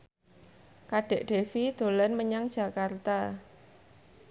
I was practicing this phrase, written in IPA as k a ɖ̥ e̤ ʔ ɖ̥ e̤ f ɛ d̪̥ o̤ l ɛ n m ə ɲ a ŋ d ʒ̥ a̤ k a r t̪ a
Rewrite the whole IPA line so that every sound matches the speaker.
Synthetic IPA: k a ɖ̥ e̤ ʔ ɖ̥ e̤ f i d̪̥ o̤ l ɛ n m ə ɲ a ŋ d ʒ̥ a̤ k a r t̪ a